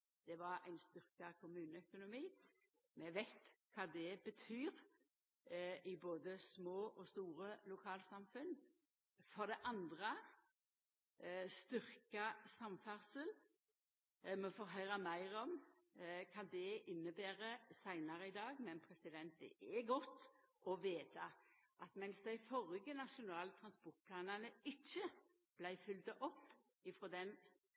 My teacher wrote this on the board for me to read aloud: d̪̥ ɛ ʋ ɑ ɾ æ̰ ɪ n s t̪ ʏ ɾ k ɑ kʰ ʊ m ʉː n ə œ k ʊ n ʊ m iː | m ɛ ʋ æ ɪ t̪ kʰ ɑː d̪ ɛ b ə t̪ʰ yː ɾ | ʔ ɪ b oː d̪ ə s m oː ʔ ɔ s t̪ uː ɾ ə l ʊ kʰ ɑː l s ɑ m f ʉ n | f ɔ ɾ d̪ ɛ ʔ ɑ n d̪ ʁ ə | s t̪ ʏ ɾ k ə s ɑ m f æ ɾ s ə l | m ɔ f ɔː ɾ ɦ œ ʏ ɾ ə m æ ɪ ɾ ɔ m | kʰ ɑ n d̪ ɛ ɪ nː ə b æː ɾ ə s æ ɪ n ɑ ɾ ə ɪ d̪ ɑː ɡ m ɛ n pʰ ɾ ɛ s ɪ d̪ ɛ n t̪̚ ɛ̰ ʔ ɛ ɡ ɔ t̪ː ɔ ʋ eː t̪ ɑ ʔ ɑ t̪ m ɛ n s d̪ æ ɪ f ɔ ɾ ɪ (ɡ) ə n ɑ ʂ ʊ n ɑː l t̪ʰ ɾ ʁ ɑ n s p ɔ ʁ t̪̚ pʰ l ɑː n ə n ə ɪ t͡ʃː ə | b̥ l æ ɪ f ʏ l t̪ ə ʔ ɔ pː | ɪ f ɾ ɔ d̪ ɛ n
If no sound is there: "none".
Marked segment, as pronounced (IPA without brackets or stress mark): ɡ